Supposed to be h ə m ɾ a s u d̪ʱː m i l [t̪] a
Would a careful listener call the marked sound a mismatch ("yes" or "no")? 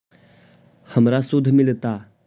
no